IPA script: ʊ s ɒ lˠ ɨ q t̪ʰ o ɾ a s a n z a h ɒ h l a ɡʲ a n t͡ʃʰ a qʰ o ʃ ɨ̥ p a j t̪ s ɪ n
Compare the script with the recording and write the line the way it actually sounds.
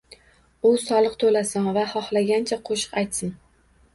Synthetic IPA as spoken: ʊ s ɒ lˠ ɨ q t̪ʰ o l a s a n v a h ɒ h l a ɡʲ a n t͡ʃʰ a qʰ o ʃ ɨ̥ q a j t̪ s ɪ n